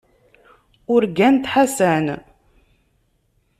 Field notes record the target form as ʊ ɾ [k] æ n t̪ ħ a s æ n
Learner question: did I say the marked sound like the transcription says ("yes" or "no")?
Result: no